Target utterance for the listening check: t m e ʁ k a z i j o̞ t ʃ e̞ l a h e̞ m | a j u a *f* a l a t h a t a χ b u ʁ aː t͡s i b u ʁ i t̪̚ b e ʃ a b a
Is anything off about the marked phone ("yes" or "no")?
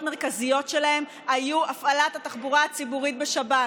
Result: no